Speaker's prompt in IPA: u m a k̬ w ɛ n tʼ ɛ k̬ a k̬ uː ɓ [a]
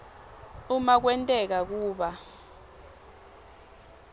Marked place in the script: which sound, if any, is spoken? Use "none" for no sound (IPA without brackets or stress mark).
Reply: a